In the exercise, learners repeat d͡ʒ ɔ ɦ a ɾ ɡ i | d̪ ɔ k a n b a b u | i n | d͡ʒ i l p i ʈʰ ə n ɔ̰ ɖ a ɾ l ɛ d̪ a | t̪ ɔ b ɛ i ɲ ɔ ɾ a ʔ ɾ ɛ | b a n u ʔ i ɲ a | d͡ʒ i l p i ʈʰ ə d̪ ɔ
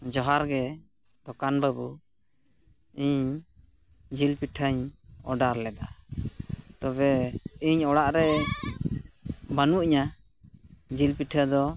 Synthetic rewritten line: d͡ʒ ɔ ɦ a ɾ ɡ ɛ | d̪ ɔ k a n b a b u | i ɲ | d͡ʒ i l p i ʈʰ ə ɲ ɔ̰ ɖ a ɾ l ɛ d̪ a | t̪ ɔ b ɛ i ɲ ɔ ɽ a ʔ ɾ ɛ | b a n u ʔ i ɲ a | d͡ʒ i l p i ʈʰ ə d̪ ɔ